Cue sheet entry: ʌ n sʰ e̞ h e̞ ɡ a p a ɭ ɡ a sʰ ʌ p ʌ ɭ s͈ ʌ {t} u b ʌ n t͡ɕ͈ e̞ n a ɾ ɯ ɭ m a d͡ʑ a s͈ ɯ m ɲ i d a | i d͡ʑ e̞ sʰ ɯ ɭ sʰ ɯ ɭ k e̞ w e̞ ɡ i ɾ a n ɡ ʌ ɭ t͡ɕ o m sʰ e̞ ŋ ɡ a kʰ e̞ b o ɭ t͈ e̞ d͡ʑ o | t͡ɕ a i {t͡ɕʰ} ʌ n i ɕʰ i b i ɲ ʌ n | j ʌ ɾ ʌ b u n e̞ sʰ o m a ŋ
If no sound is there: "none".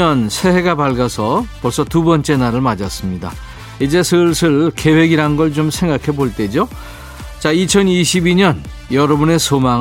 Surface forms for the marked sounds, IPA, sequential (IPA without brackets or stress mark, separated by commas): t, t͡ɕʰ